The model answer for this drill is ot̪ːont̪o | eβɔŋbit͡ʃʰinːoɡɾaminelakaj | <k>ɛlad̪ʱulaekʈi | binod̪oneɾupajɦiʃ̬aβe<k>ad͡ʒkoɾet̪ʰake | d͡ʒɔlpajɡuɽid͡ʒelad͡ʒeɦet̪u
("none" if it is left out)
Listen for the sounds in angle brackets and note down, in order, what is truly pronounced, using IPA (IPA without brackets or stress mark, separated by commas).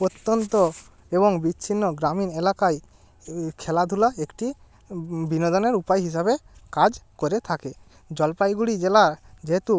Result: kʰ, k